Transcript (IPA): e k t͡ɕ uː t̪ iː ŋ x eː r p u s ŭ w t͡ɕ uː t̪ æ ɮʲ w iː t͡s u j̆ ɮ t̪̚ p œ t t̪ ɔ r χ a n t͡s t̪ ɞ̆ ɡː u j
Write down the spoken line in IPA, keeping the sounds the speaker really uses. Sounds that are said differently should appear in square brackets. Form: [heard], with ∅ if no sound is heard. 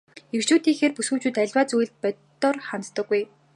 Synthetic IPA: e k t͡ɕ uː t̪ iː ŋ x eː r p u s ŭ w t͡ɕ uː t̪ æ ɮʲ w [aː] t͡s u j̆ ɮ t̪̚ p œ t t̪ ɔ r χ a n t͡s t̪ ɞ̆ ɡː u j